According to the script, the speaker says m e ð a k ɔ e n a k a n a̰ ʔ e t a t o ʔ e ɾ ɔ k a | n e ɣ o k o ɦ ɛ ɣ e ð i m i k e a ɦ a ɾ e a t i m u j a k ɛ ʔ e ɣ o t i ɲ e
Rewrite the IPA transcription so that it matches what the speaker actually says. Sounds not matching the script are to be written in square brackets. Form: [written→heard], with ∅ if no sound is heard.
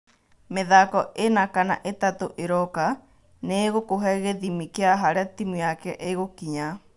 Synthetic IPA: m e ð a k ɔ e n a k a n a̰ ʔ e t a t o ʔ e ɾ ɔ k a | n e ɣ o k o ɦ ɛ ɣ e ð i m i k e a ɦ a ɾ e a t i m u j a k ɛ ʔ e ɣ o [t→k] i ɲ [e→a]